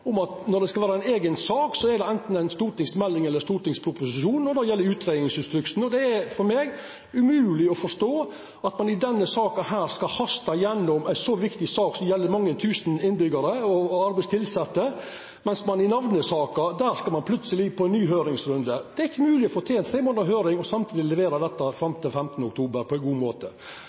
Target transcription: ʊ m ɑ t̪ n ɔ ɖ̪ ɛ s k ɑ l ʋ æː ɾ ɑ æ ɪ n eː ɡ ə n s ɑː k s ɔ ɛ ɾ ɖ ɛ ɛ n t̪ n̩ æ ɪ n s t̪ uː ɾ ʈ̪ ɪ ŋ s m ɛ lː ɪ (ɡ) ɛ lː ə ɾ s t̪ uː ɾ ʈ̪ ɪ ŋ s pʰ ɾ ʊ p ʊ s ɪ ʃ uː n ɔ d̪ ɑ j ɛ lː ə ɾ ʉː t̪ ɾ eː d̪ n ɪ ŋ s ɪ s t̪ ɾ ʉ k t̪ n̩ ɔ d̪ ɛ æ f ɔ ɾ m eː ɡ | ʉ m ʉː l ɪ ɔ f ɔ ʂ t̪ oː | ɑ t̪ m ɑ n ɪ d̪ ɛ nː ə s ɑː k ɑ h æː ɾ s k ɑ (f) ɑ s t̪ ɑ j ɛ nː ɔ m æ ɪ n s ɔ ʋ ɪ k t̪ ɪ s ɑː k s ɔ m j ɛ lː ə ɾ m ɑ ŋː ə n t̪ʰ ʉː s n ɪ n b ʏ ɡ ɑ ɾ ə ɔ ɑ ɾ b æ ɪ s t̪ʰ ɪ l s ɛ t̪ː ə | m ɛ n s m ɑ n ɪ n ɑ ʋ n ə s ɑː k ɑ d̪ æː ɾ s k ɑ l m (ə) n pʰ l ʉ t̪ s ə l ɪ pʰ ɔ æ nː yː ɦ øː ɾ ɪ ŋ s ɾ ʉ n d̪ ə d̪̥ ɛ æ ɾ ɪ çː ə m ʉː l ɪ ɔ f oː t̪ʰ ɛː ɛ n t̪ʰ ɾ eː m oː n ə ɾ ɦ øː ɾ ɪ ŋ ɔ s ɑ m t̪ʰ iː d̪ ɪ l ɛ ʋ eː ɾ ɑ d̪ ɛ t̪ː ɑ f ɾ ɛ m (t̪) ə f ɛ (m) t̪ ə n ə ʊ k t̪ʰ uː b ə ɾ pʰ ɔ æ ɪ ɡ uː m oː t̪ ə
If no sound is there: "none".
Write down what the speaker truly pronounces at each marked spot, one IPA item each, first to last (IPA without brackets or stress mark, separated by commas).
ŋ, h, ɑ, t̪, m